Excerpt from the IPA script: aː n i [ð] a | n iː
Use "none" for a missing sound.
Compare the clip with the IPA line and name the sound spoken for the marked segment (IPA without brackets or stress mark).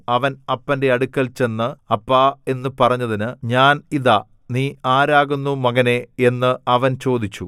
ð